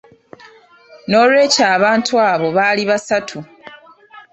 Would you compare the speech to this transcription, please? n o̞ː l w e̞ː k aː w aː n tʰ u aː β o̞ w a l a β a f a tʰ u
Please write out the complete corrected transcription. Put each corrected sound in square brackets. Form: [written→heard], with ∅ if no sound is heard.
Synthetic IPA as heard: n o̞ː l w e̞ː [k→c] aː [w→β] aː n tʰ u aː β o̞ [w→β] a l [a→i] β a [f→s] a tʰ u